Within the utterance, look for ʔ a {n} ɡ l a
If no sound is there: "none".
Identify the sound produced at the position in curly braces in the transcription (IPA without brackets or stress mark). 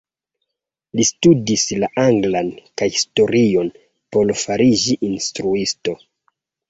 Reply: ŋ